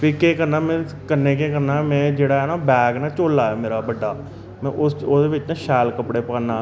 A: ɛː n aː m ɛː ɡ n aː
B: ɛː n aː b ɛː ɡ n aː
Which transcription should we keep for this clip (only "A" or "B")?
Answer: B